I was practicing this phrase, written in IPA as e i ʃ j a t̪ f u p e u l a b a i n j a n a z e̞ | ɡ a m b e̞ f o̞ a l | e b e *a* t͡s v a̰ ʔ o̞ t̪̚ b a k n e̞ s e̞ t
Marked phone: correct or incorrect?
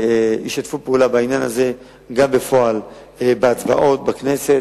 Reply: correct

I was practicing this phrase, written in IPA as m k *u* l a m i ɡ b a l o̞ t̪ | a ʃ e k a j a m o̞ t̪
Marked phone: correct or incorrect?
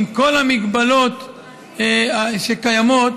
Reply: incorrect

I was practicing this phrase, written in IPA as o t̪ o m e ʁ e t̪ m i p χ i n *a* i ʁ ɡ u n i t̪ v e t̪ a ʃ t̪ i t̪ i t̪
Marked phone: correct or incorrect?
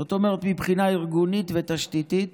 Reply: correct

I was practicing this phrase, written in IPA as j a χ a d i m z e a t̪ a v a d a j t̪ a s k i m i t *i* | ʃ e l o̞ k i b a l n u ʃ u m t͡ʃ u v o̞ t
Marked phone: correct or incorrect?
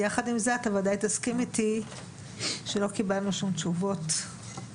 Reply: correct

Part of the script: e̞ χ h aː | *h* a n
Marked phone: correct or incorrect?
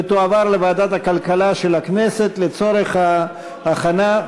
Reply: incorrect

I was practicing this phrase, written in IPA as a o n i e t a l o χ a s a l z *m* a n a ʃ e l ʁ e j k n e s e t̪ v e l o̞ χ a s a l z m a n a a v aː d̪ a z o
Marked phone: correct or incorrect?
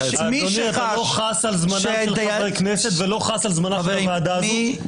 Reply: correct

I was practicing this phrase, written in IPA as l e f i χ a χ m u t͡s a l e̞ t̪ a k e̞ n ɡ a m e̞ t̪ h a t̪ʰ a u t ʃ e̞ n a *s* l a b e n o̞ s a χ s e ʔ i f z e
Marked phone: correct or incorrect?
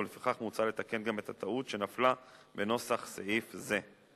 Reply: incorrect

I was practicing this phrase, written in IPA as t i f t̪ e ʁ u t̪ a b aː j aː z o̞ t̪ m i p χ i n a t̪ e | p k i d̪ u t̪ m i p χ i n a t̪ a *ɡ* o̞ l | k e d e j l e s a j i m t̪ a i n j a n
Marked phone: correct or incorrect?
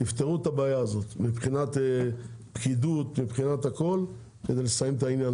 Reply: incorrect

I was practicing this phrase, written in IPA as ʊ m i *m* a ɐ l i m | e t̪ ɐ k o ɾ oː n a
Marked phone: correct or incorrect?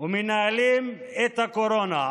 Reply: incorrect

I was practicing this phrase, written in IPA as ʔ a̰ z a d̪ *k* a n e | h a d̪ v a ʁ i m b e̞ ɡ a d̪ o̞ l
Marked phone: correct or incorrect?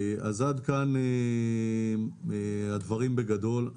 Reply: correct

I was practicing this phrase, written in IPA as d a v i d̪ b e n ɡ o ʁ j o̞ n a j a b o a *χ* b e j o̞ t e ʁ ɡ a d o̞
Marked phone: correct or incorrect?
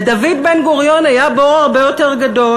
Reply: incorrect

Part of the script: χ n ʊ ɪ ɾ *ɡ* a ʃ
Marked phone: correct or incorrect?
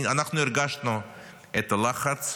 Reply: correct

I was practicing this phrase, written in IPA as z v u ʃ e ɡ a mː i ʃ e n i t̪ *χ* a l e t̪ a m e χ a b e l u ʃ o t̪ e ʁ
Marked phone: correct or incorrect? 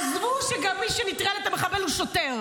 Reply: incorrect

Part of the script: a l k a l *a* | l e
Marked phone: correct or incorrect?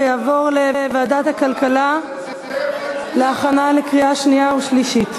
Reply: correct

